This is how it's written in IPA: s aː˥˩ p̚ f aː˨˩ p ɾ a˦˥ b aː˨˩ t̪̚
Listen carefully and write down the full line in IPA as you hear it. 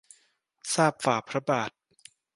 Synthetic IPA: s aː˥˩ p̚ f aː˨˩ pʰ ɾ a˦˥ b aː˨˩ t̪̚